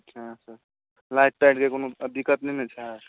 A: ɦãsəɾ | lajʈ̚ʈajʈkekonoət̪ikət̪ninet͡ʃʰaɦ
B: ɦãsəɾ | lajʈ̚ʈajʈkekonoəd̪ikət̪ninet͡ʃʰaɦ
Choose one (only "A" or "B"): B